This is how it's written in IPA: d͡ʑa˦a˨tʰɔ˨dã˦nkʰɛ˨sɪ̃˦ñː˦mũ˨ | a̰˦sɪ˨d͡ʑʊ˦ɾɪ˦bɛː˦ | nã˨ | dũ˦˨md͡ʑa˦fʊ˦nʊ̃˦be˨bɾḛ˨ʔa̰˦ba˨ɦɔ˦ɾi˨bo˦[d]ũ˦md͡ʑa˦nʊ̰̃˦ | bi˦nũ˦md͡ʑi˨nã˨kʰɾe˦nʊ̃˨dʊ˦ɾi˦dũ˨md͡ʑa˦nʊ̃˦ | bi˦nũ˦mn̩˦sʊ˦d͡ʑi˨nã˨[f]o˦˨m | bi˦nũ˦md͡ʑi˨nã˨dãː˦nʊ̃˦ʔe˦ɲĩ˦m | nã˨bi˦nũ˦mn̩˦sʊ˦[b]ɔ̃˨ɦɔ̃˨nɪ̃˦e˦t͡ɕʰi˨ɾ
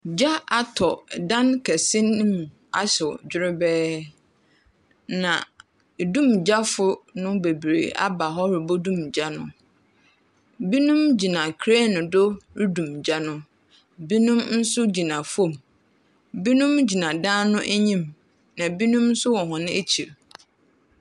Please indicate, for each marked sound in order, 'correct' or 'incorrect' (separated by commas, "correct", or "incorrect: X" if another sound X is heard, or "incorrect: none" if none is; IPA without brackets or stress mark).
correct, correct, incorrect: w